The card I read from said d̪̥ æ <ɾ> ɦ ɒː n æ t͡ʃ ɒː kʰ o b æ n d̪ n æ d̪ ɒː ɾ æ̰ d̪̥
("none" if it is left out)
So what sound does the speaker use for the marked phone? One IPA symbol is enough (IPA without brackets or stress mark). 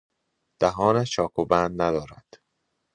none